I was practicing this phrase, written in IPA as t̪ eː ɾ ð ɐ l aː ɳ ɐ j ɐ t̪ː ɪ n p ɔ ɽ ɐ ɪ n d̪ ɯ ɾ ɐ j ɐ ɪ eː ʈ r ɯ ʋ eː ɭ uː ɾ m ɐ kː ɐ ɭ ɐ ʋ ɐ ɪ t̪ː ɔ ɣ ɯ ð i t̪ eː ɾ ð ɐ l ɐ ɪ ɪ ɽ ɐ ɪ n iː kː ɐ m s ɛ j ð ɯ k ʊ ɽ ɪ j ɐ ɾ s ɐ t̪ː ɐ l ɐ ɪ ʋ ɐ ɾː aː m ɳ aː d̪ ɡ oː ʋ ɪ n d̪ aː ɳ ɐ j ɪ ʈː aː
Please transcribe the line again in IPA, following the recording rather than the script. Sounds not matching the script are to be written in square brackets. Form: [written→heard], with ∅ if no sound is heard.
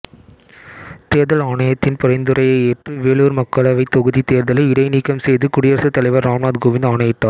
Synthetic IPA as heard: t̪ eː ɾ ð ɐ l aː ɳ ɐ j ɐ t̪ː ɪ n p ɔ [ɽ→ɾ] ɐ ɪ n d̪ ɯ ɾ ɐ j ɐ ɪ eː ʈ r ɯ ʋ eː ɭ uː ɾ m ɐ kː ɐ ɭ ɐ ʋ ɐ ɪ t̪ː ɔ ɣ ɯ ð i t̪ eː ɾ ð ɐ l ɐ ɪ ɪ ɽ ɐ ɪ n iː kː ɐ m s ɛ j ð ɯ k ʊ ɽ ɪ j ɐ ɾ s ɐ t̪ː ɐ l ɐ ɪ ʋ ɐ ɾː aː m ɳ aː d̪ ɡ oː ʋ ɪ n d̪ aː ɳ ɐ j ɪ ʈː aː